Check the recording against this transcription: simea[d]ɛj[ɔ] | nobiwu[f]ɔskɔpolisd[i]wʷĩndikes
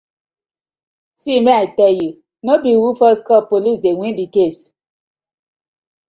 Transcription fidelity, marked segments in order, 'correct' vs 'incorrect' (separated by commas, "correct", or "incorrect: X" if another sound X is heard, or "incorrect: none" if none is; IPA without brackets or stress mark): incorrect: t, incorrect: u, correct, incorrect: e